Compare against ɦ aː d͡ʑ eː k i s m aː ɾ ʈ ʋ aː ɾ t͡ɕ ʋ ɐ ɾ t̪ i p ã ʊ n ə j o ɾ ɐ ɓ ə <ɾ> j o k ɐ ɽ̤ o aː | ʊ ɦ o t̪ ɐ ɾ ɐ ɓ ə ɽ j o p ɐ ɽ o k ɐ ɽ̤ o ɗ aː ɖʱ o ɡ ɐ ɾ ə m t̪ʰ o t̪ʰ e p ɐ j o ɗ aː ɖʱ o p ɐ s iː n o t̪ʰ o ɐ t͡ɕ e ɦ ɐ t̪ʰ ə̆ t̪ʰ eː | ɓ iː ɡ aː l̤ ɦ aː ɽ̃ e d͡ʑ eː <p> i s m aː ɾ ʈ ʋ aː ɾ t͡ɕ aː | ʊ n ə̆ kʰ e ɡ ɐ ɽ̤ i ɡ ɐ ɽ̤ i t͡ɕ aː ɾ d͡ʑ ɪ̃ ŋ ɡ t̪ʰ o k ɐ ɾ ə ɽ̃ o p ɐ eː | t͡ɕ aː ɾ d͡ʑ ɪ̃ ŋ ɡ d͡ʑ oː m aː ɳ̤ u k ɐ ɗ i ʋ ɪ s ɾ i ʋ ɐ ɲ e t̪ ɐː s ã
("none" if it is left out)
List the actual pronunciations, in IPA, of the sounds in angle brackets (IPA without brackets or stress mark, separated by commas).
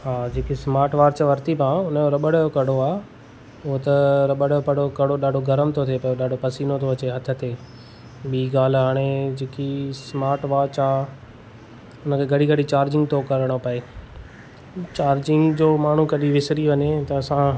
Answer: ɽ, k